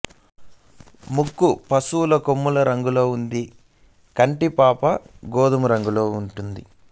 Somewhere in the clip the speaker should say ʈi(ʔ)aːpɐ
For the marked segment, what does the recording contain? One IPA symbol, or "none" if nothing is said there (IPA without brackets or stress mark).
p